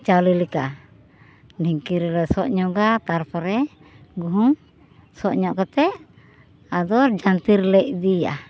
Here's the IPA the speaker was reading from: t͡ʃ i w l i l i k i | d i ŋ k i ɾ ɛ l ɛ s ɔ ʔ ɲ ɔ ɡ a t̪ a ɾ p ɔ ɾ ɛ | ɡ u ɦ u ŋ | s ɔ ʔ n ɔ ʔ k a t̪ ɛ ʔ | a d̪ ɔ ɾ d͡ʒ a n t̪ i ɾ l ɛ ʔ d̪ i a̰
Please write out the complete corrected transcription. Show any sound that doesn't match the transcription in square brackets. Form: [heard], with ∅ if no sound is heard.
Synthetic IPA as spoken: t͡ʃ [a] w l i l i k [a] | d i ŋ k i ɾ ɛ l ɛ s ɔ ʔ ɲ ɔ ɡ a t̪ a ɾ p ɔ ɾ ɛ | ɡ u ɦ u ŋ | s ɔ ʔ [ɲ] ɔ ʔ k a t̪ ɛ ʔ | a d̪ ɔ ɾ d͡ʒ a n t̪ i ɾ l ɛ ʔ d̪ i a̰